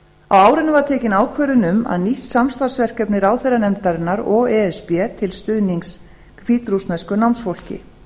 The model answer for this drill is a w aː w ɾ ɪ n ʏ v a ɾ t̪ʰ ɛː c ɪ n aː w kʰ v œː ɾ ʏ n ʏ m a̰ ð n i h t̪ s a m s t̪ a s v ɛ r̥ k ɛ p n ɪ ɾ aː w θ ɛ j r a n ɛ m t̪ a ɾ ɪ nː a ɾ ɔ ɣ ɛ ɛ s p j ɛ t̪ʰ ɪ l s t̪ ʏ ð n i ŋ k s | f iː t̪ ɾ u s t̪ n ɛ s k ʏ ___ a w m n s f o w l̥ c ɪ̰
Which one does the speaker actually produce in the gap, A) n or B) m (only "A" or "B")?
A